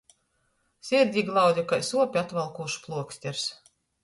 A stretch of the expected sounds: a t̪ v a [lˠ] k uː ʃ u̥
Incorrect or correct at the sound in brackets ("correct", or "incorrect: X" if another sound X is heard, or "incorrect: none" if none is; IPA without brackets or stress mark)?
correct